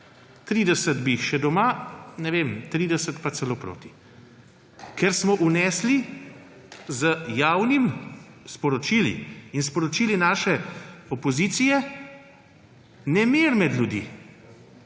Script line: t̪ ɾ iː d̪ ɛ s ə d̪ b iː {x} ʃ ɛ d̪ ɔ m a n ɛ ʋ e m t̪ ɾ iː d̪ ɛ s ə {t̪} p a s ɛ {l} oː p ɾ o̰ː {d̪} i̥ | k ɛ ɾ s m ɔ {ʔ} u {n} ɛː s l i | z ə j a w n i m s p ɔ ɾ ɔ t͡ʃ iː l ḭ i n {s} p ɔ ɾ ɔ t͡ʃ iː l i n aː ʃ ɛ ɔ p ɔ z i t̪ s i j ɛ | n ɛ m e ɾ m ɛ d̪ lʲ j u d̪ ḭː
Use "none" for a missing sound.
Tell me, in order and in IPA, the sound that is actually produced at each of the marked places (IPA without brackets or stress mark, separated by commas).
x, t̪, l, t̪, ʔ, n, s